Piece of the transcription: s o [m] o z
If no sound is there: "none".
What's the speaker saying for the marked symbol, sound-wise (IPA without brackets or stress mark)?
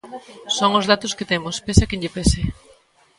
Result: ŋ